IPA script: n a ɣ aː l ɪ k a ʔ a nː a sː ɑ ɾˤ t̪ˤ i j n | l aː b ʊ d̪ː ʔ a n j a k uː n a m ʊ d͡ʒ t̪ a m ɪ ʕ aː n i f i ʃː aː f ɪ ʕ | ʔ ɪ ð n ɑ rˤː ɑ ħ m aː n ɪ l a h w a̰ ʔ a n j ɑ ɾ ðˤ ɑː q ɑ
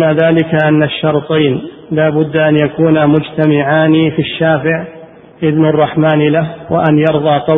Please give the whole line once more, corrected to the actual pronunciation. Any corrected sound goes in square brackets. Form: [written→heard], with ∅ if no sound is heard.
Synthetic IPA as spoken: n a [ɣ→ð] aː l ɪ k a ʔ a nː a [sː→ʃː] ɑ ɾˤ t̪ˤ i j n | l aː b ʊ d̪ː ʔ a n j a k uː n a m ʊ d͡ʒ t̪ a m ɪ ʕ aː n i f i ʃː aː f ɪ ʕ | ʔ ɪ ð n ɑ rˤː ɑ ħ m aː n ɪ l a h w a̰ ʔ a n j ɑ ɾ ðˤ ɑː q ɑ